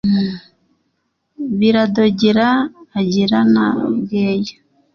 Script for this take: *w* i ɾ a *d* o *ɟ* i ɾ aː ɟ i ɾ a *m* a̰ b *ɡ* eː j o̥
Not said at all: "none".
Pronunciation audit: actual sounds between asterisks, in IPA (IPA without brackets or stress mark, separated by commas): β, d, ɟ, n, ɡ